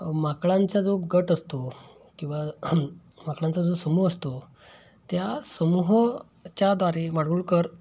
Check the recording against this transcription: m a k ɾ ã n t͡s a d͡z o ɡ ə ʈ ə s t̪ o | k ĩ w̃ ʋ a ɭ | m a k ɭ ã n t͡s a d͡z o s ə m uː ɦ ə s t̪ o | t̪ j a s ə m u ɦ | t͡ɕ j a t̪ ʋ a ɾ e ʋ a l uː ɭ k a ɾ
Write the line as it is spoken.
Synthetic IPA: m a k ɭ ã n t͡s a d͡z o ɡ ə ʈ ə s t̪ o | k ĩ w̃ ʋ a | m a k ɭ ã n t͡s a d͡z o s ə m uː ɦ ə s t̪ o | t̪ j a s ə m u ɦ | t͡ɕ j a d̪ ʋ a ɾ e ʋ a ɽ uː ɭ k ə ɾ